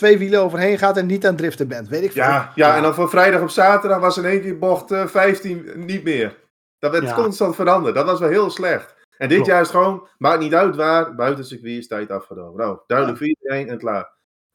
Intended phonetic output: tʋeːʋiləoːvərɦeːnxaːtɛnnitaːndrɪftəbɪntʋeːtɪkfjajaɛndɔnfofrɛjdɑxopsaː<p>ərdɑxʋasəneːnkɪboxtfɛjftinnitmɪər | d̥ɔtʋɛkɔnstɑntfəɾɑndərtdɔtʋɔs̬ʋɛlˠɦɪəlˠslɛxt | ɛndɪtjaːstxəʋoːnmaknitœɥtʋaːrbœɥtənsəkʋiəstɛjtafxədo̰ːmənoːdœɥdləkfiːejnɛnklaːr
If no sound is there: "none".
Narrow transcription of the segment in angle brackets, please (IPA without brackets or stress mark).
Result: t